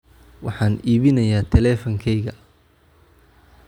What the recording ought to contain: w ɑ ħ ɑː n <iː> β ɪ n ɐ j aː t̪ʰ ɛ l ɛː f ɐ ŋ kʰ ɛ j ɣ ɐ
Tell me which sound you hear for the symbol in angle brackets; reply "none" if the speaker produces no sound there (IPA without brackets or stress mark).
iː